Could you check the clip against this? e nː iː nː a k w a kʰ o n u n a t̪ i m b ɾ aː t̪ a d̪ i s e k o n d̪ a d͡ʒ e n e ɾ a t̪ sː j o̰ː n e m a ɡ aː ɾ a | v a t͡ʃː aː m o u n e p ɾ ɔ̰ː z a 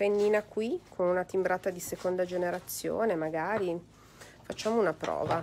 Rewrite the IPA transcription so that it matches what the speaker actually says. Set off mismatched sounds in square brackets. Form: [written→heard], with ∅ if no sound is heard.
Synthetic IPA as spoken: e nː iː [nː→n] a k w [a→i] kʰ o n u n a t̪ i m b ɾ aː t̪ a d̪ i s e k o n d̪ a d͡ʒ e n e ɾ a t̪ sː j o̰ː n e m a ɡ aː ɾ [a→i] | [v→f] a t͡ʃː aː m o u n [e→a] p ɾ ɔ̰ː [z→v] a

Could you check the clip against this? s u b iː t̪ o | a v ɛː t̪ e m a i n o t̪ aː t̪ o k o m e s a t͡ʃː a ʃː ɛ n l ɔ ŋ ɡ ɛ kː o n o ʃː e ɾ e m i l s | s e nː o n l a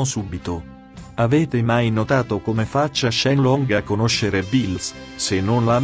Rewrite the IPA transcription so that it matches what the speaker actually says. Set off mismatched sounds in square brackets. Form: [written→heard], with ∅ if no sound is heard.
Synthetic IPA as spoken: s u b [iː→i] t̪ o | a v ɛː t̪ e m a [i→j] n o t̪ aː t̪ o k o m e [s→f] a t͡ʃː a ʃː ɛ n l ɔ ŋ ɡ [ɛ→a] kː o n o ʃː e ɾ e [m→b] i l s | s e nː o n l a

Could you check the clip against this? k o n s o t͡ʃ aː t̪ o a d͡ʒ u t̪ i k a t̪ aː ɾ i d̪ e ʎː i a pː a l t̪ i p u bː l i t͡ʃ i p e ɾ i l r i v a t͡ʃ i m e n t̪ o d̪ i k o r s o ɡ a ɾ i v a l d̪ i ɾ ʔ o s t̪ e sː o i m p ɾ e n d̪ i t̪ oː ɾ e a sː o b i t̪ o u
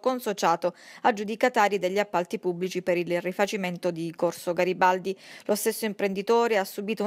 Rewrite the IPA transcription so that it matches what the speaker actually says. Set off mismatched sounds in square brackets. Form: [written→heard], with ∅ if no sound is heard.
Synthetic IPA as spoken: k o n s o t͡ʃ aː t̪ o a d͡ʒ u [t̪→d̪] i k a t̪ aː ɾ i d̪ e ʎː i a pː a l t̪ i p u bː l i t͡ʃ i p e ɾ i l r i [v→f] a t͡ʃ i m e n t̪ o d̪ i k o r s o ɡ a ɾ i [v→b] a l d̪ i [ɾ→l] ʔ o s t̪ e sː o i m p ɾ e n d̪ i t̪ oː ɾ e a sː [o→u] b [i→iː] t̪ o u

